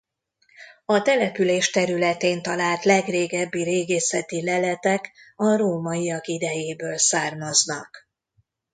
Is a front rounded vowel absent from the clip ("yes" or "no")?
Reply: no